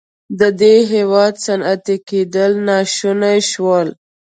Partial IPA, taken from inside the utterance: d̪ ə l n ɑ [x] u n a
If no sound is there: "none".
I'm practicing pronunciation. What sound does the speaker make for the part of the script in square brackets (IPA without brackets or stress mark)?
ʃ